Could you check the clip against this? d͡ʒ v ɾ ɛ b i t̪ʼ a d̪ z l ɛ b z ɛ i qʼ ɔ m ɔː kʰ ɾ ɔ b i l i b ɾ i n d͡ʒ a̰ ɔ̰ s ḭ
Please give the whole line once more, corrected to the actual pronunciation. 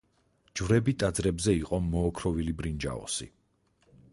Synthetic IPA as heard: d͡ʒ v ɾ ɛ b i t̪ʼ a d̪ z ɾ ɛ b z ɛ i qʼ ɔ m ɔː kʰ ɾ ɔ v i l i b ɾ i n d͡ʒ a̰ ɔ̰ s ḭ